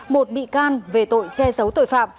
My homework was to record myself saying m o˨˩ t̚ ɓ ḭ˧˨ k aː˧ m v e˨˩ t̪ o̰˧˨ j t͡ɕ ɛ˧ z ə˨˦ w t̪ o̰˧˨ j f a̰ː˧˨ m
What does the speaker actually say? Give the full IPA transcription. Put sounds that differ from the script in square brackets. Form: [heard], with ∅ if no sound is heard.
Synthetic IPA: m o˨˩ t̚ ɓ ḭ˧˨ k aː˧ [n] v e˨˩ t̪ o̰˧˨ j t͡ɕ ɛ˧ z ə˨˦ w t̪ o̰˧˨ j f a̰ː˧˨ m